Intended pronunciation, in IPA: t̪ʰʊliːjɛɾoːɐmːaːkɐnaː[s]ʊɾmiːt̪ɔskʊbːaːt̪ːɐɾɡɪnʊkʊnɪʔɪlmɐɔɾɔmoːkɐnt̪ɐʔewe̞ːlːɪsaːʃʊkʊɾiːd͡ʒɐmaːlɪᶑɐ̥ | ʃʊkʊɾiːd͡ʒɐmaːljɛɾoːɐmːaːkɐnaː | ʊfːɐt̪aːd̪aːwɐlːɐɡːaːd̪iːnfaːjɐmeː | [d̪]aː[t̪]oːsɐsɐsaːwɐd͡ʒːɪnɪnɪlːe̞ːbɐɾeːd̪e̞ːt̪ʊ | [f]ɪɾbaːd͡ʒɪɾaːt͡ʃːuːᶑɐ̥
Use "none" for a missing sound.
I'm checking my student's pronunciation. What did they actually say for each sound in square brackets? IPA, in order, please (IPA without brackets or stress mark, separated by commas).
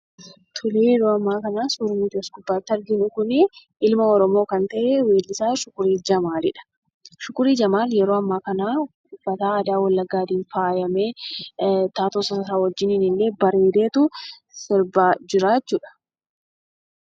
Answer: s, t̪, t̪, s